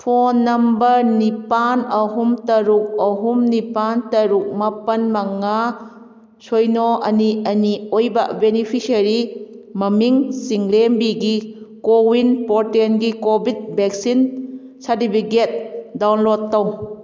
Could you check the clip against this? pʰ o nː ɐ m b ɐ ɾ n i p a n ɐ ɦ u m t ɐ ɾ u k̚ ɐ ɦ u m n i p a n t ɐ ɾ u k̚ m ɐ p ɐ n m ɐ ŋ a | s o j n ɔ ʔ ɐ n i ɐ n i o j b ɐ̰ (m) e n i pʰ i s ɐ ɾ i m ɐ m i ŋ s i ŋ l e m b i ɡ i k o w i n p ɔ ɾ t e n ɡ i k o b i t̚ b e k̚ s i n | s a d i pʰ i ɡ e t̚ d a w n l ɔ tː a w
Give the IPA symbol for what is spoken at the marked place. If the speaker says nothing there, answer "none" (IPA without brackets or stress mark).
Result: b